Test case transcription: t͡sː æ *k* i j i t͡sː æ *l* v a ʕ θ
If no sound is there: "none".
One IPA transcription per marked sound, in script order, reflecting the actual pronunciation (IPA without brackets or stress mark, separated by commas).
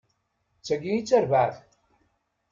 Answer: ɡ, ɾ